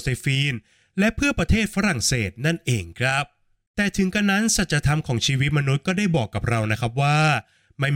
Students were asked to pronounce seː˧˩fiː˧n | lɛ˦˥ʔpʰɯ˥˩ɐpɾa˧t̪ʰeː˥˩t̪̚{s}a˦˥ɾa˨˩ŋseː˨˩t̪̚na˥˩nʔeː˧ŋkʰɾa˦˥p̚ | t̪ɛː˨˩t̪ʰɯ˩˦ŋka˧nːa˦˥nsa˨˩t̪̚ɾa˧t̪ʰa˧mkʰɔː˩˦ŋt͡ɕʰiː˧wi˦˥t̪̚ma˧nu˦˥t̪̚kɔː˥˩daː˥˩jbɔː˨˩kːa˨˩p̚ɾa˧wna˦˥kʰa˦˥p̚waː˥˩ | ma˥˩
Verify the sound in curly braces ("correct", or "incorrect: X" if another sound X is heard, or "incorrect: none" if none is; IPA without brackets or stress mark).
incorrect: f